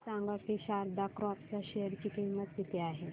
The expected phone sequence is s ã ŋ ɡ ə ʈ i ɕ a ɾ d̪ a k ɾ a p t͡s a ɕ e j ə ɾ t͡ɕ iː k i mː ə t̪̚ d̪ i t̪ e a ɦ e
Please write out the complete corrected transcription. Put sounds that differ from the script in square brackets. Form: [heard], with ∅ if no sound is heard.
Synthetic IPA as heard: s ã ŋ ɡ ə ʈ i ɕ a ɾ d̪ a k ɾ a p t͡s a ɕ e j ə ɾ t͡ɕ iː k i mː ə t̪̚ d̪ i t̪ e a ɦ e